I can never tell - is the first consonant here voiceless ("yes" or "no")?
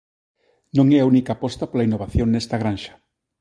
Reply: no